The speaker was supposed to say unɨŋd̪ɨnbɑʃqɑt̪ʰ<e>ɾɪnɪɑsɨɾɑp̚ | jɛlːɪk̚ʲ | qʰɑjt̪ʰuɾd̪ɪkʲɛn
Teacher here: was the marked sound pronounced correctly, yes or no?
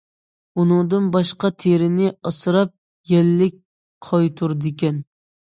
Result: yes